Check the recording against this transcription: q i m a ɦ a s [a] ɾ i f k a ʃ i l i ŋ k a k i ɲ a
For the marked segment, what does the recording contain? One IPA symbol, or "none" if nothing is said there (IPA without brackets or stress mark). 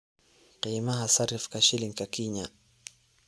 a